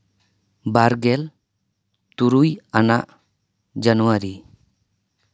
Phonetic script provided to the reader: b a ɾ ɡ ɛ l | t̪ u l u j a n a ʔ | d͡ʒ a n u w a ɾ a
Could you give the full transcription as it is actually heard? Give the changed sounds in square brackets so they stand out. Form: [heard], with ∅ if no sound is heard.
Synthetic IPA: b a ɾ ɡ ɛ l | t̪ u [ɾ] u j a n a ʔ | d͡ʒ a n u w a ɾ [i]